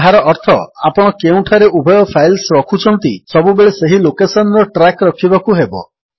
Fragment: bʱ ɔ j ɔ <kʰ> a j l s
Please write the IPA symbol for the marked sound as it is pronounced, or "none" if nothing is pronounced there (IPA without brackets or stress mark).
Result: pʰ